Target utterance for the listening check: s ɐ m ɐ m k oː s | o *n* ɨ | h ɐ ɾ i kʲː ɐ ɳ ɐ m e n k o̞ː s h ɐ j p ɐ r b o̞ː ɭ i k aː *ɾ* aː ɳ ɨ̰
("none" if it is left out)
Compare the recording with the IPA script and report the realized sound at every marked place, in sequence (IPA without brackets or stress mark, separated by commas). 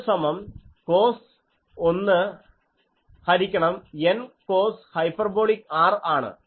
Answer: nː, r